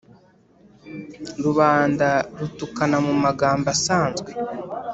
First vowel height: high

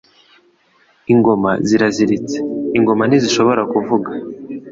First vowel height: high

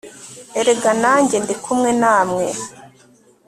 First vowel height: mid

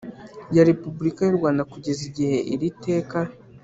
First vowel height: low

